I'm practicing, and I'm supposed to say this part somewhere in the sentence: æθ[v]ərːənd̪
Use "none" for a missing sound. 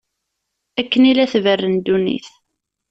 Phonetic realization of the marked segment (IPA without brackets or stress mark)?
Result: v